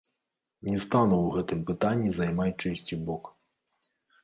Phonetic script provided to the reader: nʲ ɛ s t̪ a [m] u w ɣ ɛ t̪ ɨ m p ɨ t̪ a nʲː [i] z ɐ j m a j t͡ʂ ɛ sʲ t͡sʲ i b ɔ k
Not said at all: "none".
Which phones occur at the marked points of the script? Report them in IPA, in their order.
n, i

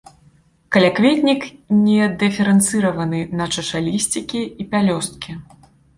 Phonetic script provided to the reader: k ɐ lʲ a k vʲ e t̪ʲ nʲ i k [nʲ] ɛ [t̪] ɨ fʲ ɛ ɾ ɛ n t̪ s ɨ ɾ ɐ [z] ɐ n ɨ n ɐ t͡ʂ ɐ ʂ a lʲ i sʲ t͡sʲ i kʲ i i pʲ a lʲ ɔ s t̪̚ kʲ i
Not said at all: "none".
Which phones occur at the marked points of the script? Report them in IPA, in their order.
nʲ, d̪, v

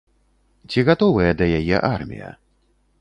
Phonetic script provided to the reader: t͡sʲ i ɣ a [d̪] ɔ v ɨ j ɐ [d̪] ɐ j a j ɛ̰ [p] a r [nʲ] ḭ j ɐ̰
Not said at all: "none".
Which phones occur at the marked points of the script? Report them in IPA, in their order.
t̪, d̪, ʔ, mʲ

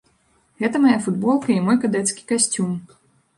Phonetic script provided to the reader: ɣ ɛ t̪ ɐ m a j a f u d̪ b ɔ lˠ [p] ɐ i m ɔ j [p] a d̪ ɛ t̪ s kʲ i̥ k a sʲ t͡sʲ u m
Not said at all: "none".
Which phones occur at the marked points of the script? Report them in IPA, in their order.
k, k

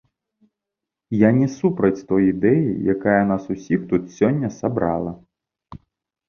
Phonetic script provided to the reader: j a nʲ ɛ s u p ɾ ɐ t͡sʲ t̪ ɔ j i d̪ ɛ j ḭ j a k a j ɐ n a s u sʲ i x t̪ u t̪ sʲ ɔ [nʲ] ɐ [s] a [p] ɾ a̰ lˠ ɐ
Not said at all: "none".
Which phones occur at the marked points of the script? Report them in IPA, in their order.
nʲː, s, b

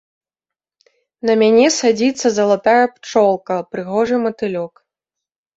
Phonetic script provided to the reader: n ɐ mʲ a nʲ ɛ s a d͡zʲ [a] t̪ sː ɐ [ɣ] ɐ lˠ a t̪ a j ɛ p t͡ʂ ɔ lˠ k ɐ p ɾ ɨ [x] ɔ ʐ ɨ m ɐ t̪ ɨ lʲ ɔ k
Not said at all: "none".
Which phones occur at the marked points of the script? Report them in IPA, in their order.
i, z, ɣ

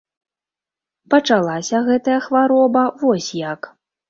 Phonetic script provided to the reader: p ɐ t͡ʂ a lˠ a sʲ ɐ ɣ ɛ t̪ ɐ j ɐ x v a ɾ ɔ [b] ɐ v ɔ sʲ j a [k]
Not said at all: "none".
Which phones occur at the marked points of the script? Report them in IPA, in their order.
b, k

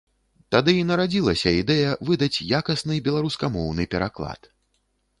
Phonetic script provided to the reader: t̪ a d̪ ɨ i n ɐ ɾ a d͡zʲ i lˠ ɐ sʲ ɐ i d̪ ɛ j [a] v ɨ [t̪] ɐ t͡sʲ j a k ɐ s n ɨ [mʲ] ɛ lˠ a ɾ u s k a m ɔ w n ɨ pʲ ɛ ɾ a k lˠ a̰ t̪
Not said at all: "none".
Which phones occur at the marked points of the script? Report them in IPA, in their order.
ɐ, d̪, bʲ

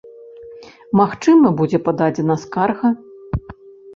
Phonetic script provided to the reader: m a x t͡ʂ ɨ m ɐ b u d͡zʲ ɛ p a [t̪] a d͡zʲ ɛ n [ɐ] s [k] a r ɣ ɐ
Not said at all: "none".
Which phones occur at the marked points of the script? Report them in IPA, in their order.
d̪, ɐ, k

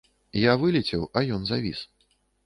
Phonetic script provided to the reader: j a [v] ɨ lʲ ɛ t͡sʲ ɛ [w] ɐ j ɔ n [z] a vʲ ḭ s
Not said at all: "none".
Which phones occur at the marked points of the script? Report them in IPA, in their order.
v, w, z

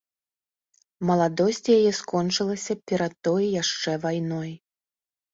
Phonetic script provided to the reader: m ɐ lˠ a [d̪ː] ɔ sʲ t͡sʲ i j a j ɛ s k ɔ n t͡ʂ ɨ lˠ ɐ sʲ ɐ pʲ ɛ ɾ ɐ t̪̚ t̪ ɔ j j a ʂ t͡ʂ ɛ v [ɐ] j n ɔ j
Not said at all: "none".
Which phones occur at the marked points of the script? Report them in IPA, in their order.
d̪, a

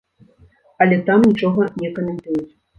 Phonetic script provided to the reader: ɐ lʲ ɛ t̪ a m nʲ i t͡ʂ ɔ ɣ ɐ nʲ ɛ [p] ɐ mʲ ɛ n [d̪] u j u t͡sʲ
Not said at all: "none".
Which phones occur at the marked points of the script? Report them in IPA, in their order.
k, t̪

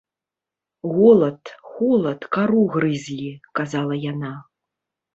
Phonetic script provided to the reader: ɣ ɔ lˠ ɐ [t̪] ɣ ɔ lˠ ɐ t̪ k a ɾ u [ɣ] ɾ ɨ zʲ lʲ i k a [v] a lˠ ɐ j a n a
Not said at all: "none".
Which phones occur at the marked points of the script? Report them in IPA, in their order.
t̪, ɣ, z

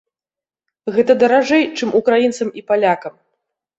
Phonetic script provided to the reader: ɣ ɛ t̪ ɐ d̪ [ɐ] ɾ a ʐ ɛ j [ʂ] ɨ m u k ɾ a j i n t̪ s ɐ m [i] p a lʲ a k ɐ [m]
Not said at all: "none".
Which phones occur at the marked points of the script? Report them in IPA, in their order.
ɐ, t͡ʂ, i, m

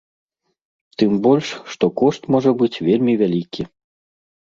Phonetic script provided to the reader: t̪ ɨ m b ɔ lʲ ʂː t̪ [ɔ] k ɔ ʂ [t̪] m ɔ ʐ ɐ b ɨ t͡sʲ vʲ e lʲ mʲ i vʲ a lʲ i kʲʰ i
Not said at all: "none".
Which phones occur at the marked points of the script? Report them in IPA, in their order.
ɔ, t̪

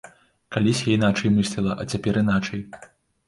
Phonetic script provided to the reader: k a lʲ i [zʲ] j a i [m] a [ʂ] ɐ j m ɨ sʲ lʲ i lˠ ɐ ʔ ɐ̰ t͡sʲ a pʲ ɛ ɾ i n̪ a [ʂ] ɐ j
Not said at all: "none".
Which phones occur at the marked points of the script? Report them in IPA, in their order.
sʲ, n, t͡ʂ, t͡ʂ

